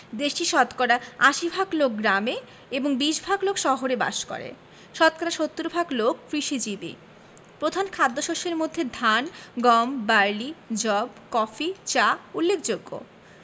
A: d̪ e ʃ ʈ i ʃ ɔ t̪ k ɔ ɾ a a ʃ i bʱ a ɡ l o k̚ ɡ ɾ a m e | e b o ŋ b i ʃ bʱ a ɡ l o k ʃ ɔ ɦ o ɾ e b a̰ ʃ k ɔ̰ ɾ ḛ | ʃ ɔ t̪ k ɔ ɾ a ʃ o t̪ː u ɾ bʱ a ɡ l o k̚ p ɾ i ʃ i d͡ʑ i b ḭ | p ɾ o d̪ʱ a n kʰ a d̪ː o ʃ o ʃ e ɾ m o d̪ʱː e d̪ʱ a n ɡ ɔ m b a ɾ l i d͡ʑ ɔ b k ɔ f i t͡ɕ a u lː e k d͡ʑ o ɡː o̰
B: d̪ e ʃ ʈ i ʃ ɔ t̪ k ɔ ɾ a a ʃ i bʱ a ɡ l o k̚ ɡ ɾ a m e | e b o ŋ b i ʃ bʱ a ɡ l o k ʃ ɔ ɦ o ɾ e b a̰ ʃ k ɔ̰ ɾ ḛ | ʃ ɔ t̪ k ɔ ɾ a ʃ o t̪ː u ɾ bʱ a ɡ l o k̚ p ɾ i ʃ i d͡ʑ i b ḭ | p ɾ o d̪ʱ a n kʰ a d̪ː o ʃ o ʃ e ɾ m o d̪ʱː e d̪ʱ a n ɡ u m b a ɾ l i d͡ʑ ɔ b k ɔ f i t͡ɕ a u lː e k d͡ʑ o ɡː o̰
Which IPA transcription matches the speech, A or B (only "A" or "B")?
A